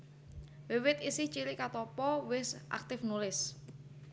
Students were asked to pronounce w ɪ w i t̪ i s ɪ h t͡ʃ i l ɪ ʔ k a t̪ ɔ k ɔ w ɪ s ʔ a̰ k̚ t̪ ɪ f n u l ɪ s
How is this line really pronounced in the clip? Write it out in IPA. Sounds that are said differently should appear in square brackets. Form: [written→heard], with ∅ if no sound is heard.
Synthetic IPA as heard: w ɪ w [i→ɪ] t̪ i s ɪ h t͡ʃ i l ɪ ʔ k a t̪ ɔ [k→p] ɔ w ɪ s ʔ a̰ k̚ t̪ ɪ f n u l ɪ s